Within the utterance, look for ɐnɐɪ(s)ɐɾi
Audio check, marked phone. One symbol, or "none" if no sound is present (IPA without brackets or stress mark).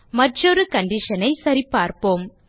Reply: s